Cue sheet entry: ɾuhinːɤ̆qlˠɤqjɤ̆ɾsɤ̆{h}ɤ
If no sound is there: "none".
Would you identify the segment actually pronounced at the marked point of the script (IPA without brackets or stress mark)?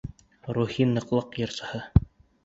h